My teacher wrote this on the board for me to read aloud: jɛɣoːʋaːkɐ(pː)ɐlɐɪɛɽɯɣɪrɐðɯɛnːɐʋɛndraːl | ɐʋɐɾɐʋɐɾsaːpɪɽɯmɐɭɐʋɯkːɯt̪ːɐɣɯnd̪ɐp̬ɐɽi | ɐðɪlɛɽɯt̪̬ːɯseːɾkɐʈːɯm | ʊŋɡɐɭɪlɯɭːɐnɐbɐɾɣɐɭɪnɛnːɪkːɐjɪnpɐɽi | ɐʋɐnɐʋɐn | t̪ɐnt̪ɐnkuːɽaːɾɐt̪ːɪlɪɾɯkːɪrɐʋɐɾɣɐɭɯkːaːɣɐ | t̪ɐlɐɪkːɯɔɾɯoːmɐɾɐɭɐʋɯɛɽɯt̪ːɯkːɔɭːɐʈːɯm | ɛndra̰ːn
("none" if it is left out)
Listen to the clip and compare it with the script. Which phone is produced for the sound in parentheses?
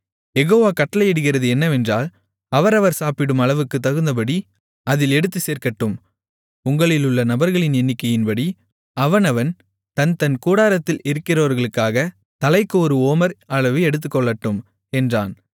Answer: ʈː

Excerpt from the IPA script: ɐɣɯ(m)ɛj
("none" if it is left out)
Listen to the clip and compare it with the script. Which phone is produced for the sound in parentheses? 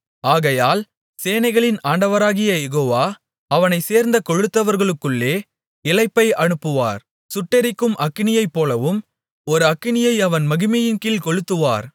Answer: m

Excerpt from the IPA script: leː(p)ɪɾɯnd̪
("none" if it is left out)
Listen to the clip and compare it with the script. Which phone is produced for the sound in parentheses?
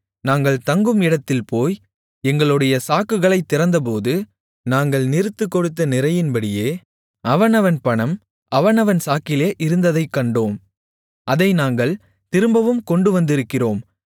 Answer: ʔ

